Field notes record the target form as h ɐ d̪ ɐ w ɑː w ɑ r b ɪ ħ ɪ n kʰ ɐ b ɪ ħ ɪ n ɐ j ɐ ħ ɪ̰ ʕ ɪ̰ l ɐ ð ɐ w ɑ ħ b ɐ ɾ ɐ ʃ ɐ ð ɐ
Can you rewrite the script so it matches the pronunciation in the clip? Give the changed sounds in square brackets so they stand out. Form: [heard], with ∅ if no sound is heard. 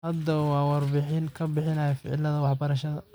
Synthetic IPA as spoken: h ɐ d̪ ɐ w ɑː w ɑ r b ɪ ħ ɪ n kʰ ɐ b ɪ ħ ɪ n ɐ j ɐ [f] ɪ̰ ʕ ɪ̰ l ɐ ð ɐ w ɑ ħ b ɐ ɾ ɐ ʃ ɐ ð ɐ